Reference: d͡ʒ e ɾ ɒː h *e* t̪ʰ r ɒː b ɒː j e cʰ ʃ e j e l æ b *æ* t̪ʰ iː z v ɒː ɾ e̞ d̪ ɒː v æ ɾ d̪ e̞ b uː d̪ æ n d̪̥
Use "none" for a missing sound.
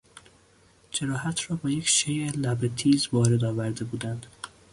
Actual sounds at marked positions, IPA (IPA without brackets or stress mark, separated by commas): æ, e